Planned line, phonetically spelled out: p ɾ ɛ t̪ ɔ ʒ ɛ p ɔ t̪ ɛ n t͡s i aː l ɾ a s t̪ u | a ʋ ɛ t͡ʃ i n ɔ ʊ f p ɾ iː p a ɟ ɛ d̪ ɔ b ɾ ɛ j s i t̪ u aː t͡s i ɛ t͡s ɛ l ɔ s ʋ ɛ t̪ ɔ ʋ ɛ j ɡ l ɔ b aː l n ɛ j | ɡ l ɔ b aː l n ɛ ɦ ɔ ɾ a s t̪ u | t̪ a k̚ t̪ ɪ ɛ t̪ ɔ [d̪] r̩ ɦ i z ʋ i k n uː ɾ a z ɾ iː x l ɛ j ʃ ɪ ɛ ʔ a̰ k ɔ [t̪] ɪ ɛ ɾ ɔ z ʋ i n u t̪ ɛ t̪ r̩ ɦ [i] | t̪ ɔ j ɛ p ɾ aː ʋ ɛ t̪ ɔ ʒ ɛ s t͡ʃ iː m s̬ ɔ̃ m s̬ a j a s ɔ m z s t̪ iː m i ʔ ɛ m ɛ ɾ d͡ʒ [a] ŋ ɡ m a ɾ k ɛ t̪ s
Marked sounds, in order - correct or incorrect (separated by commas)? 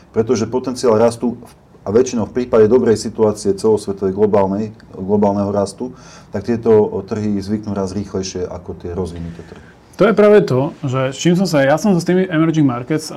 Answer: incorrect, correct, correct, incorrect